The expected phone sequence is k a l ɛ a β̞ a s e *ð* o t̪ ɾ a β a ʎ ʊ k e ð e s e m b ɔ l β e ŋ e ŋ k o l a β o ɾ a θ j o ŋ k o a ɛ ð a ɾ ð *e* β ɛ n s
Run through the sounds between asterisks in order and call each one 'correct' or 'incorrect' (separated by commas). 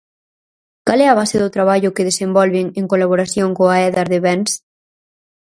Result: correct, correct